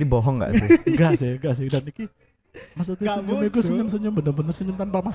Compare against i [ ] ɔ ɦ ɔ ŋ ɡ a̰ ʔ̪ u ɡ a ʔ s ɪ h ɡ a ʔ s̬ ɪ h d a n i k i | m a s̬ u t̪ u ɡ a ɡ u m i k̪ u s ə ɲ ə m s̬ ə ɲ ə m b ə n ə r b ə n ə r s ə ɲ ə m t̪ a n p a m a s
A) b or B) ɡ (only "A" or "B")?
A